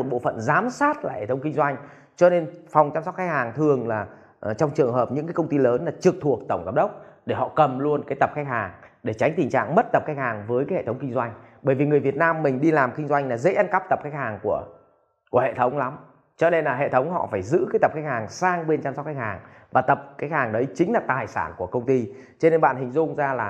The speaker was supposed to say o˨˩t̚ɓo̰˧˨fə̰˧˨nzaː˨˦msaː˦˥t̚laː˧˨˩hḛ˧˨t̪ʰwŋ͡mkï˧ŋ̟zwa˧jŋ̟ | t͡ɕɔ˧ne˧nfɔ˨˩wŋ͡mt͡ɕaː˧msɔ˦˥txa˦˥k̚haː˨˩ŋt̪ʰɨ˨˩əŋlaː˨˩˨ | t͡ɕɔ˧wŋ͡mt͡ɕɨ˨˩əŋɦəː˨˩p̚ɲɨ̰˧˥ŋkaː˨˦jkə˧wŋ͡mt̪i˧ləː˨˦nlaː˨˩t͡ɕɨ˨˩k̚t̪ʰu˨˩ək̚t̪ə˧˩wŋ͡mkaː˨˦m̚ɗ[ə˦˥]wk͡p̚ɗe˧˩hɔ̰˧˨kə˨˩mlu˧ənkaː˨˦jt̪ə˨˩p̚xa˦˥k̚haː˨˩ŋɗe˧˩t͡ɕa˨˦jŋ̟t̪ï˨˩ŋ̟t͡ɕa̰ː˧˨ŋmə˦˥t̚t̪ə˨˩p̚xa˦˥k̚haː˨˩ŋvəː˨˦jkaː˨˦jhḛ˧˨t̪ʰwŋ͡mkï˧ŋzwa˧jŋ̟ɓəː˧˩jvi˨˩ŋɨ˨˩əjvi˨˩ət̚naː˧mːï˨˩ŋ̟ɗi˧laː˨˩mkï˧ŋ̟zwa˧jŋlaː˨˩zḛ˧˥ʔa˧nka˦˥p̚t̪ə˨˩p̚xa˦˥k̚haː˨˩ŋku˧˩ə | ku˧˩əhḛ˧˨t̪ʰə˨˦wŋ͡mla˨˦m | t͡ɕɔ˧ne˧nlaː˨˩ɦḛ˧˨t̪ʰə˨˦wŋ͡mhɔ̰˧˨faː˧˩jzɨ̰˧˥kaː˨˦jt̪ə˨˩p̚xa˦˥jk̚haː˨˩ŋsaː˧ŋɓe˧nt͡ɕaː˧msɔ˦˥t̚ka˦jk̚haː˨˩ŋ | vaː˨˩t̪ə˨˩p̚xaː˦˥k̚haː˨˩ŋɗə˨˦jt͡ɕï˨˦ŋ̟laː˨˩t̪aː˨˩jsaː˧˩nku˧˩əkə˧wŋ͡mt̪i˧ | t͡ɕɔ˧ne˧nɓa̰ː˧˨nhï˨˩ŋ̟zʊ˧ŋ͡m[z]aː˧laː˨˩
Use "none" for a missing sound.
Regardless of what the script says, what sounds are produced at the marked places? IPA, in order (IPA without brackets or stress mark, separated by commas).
ə˦˥, z